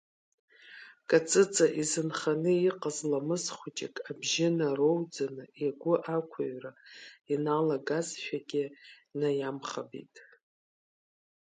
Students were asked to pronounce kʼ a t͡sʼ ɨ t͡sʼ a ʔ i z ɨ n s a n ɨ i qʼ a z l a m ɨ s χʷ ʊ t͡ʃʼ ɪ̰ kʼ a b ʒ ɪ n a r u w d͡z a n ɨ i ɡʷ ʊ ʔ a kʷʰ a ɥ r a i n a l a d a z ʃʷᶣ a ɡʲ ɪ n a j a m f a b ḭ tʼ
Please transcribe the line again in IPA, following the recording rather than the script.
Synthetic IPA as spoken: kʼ a t͡sʼ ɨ t͡sʼ a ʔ i z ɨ n χ a n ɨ i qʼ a z l a m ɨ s χʷ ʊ t͡ʃʼ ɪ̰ kʼ a b ʒ ɪ n a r o w d͡z a n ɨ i ɡʷ ʊ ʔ a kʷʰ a ɥ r a i n a l a ɡ a z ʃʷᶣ a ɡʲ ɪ n a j a m χ a b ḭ tʼ

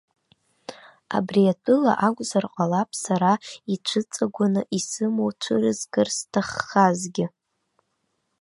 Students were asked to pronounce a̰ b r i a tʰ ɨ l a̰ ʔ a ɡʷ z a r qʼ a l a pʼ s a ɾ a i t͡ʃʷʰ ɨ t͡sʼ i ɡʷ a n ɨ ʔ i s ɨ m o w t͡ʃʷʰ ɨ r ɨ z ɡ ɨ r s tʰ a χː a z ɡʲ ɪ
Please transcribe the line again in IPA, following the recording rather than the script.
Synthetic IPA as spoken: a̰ b r i a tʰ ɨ l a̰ ʔ a ɡʷ z a r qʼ a l a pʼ s a ɾ a i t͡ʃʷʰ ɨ t͡sʼ a ɡʷ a n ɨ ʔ i s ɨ m o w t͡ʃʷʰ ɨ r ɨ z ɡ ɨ r s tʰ a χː a z ɡʲ ɪ

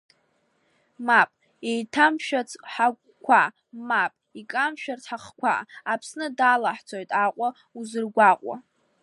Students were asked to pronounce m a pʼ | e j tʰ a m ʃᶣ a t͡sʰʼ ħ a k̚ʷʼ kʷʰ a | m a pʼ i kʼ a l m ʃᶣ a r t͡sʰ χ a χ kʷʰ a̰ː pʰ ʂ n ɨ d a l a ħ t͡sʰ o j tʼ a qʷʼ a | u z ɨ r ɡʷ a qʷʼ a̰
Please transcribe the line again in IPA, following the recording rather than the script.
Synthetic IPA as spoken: m a pʼ | e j tʰ a m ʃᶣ a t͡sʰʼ ħ a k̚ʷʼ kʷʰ a | m a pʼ i kʼ a m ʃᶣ a r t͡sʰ ħ a χ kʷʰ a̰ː pʰ s n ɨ d a l a ħ t͡sʰ o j tʼ a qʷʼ a | u z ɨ r ɡʷ a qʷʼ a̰

